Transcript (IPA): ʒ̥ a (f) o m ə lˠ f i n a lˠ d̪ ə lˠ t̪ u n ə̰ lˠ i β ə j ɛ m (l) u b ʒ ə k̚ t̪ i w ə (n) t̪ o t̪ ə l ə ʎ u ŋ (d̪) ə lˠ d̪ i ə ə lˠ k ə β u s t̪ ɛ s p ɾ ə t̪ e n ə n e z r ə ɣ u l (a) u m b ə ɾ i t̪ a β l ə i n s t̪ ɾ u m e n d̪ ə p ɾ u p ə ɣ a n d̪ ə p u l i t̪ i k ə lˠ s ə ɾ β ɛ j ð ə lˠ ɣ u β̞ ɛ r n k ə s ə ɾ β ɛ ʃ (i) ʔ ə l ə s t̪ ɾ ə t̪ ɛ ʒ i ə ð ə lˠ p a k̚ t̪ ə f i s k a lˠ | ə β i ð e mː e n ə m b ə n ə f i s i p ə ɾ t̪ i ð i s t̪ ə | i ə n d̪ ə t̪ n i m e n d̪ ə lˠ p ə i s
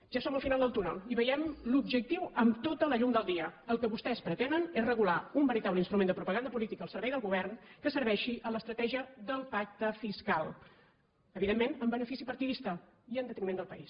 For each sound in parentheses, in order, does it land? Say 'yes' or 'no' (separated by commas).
no, yes, no, yes, yes, yes